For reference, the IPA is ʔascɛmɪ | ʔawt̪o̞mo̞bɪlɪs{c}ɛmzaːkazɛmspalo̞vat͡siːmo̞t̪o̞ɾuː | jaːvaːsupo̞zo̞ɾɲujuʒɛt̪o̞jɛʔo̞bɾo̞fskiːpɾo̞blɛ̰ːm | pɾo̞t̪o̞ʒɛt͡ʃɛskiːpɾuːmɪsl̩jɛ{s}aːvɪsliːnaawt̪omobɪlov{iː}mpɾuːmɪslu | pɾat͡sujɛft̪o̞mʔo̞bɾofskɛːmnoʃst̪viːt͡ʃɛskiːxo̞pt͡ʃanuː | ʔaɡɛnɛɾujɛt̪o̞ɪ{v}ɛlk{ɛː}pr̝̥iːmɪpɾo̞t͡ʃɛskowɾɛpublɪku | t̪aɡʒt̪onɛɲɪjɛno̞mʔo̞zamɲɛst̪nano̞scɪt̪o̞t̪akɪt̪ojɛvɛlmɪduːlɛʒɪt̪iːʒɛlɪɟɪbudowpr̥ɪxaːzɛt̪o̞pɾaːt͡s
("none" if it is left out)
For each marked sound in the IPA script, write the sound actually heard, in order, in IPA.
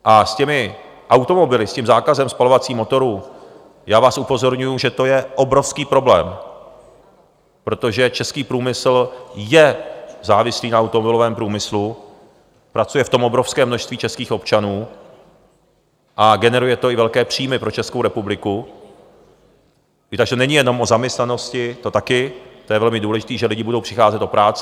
c, z, ɛː, v, ɛː

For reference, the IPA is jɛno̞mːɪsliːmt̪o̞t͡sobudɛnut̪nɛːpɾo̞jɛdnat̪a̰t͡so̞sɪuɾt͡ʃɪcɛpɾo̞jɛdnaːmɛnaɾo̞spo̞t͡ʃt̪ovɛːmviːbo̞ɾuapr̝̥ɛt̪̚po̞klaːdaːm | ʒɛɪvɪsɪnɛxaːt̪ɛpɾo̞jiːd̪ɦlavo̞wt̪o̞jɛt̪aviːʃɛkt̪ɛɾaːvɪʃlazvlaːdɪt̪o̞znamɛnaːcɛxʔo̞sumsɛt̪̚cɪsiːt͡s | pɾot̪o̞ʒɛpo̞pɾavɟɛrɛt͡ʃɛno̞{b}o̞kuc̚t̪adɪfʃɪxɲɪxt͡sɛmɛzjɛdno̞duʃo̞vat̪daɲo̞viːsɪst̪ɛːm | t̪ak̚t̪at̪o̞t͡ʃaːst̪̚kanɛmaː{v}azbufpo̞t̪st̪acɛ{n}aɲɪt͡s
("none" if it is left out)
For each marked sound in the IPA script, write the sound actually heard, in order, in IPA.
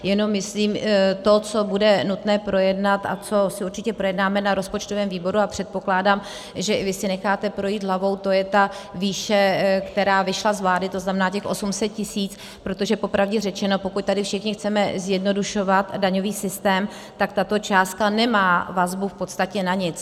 p, v, n

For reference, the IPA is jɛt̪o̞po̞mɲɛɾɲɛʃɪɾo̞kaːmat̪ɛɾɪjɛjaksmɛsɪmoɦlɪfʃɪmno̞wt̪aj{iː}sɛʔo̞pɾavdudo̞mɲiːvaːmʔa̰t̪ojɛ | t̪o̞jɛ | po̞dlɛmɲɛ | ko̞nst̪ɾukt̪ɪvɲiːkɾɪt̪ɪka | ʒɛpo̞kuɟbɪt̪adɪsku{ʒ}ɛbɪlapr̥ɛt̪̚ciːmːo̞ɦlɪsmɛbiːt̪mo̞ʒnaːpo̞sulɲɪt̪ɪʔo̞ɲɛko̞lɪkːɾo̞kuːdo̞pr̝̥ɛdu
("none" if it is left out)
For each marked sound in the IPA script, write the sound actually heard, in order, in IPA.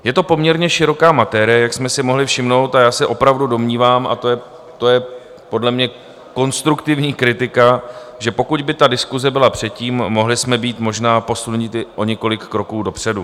aː, z

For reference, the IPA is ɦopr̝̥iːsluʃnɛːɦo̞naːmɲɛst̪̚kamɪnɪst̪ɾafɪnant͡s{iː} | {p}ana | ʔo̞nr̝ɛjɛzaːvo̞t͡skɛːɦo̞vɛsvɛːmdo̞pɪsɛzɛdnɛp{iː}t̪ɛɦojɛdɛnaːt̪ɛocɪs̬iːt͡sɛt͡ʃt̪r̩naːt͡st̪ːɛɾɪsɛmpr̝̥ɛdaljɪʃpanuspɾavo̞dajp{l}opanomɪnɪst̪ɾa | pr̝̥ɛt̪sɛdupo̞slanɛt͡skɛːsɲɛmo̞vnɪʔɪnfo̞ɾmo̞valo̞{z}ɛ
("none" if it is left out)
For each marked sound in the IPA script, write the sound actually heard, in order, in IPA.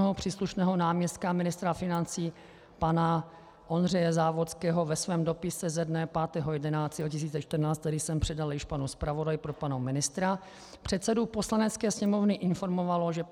iː, p, aː, ɾ, ʒ

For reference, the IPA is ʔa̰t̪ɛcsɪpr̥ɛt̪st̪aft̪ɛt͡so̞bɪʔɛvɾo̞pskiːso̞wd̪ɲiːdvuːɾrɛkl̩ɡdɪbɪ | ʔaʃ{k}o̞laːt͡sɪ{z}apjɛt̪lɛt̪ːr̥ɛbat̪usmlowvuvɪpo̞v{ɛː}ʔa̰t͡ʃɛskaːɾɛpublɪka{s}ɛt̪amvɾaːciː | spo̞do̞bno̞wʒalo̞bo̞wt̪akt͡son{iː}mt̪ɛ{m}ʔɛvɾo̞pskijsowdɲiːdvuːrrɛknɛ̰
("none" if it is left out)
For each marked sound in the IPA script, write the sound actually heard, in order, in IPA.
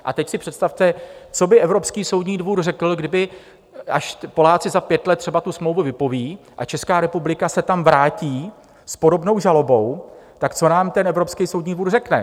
p, z, iː, s, aː, n

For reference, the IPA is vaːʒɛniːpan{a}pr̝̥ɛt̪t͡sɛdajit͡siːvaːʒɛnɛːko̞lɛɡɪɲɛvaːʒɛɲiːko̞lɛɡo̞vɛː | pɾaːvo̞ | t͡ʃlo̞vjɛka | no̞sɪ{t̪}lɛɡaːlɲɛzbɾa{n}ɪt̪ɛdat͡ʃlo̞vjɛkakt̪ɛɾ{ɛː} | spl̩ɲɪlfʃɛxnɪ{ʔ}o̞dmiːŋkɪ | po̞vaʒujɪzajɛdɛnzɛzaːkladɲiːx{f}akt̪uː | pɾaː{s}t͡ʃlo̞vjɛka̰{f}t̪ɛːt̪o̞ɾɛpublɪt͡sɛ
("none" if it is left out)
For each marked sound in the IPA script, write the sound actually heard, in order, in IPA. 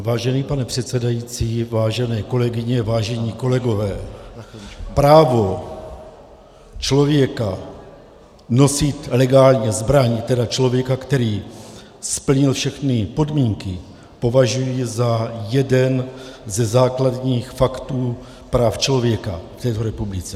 ɛ, t̪, ɲ, iː, p, f, f, f

